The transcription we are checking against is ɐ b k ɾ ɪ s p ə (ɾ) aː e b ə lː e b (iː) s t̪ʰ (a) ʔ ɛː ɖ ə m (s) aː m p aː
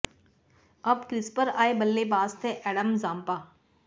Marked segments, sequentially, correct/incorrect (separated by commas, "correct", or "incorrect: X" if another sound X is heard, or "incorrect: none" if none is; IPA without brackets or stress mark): correct, incorrect: aː, incorrect: e, incorrect: z